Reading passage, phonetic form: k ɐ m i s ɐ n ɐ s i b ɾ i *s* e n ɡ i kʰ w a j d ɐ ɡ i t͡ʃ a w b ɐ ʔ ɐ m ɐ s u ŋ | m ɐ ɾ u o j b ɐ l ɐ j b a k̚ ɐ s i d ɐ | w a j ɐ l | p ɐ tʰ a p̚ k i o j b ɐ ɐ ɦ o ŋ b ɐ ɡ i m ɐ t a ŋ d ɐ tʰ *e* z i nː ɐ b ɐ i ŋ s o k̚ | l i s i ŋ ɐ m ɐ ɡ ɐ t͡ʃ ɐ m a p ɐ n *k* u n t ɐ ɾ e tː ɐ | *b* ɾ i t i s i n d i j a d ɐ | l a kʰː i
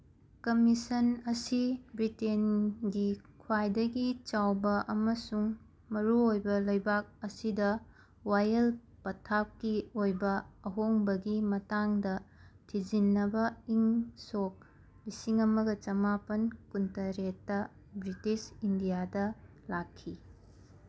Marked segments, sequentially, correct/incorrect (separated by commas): incorrect, incorrect, correct, correct